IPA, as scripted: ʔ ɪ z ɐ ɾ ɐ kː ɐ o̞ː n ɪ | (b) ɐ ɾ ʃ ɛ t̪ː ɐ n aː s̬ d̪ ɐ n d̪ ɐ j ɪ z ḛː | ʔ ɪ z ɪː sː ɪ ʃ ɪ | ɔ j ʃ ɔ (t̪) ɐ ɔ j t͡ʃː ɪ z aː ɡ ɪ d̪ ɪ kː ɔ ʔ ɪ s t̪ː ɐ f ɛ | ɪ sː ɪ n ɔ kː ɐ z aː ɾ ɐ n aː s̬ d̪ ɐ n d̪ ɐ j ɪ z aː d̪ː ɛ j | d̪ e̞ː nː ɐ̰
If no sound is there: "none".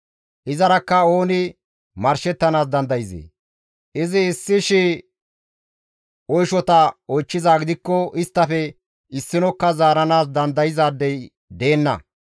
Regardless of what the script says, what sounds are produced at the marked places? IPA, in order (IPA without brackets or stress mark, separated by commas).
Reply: m, t̪